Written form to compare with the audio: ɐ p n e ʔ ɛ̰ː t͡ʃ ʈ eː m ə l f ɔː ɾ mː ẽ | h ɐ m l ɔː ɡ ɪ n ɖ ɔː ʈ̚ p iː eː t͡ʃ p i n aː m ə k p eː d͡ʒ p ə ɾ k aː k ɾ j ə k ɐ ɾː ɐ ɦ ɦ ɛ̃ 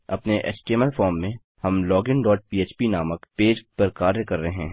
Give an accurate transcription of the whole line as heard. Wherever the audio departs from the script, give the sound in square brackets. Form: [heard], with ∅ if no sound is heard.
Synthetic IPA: ɐ p n e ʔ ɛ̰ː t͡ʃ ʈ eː m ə l f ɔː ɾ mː ẽ | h ɐ m l ɔː ɡ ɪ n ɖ ɔː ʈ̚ p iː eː t͡ʃ p i n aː m ə k p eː d͡ʒ p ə ɾ k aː [∅] ɾ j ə k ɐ ɾː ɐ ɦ ɦ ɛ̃